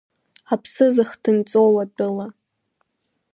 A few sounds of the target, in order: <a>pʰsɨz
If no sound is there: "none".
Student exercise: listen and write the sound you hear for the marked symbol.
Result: a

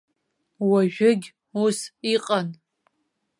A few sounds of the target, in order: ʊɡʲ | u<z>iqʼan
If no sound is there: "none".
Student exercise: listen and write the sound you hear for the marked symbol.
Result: s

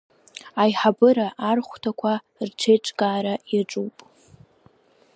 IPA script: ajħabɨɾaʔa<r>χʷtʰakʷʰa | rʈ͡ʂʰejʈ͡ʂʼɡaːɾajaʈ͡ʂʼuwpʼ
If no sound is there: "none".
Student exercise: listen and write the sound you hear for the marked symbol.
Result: r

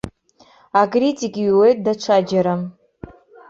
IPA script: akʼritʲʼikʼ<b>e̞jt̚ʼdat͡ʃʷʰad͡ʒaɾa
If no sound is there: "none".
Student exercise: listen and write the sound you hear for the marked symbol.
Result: w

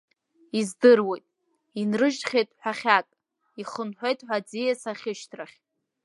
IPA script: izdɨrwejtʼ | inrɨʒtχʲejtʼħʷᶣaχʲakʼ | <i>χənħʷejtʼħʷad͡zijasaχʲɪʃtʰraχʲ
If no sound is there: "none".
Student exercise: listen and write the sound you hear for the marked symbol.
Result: i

